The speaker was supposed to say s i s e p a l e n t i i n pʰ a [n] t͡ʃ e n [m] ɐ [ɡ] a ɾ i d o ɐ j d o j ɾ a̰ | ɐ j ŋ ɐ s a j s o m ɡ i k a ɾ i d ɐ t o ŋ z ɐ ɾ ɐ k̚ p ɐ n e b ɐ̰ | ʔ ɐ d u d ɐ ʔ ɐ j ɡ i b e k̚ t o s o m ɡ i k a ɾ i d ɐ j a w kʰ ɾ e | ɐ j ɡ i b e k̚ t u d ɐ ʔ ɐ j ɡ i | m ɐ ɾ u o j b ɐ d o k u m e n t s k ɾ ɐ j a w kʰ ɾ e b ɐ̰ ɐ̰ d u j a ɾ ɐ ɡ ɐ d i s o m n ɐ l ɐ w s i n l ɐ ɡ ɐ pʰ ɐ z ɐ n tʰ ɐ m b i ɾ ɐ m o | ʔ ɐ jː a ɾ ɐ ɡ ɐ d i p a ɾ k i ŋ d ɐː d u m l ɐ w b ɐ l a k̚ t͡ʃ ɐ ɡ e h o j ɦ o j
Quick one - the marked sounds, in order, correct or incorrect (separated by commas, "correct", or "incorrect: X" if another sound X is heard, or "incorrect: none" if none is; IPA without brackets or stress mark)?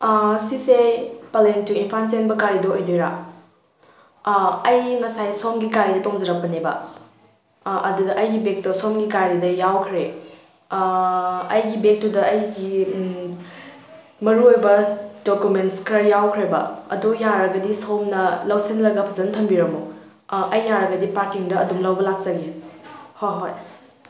correct, incorrect: b, incorrect: k